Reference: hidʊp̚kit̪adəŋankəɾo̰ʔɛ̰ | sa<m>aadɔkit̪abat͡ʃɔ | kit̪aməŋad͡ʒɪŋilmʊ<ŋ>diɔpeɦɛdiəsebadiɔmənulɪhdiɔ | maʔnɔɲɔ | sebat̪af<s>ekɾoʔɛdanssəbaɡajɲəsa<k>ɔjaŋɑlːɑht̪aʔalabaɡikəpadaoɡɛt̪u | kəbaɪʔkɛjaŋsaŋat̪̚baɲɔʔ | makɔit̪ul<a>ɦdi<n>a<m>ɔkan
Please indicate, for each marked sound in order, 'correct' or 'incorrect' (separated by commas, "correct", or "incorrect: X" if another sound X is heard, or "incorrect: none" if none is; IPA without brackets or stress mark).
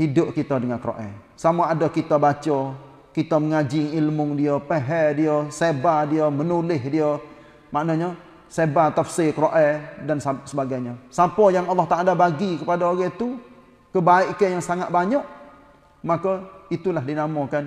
correct, correct, correct, incorrect: p, correct, correct, correct